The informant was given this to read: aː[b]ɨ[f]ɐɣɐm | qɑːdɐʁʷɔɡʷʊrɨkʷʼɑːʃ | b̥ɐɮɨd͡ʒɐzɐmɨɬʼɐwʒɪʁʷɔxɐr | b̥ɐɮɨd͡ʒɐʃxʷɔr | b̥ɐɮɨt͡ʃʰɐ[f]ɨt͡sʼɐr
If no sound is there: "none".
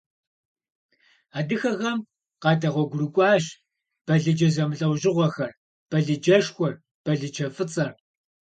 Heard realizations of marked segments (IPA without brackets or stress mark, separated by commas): d, x, f